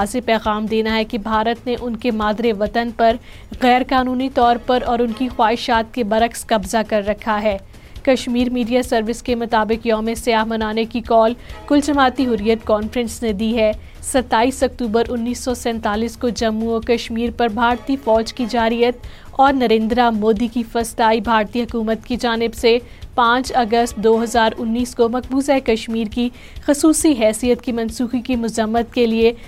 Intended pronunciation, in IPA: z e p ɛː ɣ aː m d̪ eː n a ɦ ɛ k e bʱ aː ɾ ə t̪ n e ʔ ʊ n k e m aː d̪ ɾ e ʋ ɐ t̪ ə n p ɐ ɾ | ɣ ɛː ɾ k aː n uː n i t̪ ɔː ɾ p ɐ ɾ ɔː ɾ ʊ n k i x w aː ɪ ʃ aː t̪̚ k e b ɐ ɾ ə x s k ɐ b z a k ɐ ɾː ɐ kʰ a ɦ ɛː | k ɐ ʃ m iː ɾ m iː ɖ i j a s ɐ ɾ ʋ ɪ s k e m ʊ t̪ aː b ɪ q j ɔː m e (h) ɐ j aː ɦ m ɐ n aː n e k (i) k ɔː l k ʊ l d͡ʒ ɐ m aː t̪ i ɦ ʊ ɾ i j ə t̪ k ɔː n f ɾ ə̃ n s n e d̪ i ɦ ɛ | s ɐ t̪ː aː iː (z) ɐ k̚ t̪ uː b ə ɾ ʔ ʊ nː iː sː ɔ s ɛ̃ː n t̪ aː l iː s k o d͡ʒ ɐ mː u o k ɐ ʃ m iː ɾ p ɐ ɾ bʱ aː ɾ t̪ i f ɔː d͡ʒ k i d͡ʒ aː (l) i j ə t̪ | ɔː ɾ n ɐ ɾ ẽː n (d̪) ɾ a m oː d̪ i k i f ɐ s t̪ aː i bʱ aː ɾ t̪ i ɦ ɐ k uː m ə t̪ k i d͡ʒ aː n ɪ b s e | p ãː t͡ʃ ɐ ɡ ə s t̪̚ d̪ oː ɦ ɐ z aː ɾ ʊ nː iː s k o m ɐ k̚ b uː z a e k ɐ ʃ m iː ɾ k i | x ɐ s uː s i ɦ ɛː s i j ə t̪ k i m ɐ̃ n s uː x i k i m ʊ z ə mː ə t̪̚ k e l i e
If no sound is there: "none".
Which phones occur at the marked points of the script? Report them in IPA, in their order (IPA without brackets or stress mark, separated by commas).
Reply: s, i, s, ɾ, d̪